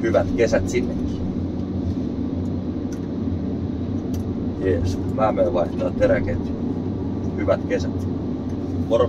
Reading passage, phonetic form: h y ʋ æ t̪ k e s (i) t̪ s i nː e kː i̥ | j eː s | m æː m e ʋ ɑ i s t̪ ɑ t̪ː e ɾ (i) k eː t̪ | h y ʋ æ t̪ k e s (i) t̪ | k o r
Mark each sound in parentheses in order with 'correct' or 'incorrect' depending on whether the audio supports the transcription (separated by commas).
incorrect, incorrect, incorrect